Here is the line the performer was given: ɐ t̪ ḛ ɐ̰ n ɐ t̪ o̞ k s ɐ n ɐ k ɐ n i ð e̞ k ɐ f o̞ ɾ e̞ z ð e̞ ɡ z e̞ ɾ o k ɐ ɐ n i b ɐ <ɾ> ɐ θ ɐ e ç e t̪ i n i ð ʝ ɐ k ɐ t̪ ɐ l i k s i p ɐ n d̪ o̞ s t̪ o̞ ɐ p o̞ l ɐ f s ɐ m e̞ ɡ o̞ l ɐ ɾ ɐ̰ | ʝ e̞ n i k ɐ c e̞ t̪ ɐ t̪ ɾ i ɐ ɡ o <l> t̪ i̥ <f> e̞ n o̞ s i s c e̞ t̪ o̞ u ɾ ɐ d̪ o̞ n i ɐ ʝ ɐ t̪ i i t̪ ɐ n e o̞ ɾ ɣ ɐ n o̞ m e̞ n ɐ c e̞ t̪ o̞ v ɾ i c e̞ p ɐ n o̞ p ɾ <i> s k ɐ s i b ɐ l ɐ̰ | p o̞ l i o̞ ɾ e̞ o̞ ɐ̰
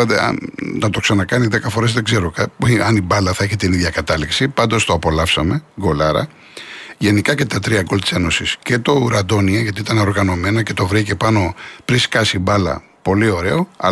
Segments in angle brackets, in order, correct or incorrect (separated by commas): incorrect, correct, incorrect, correct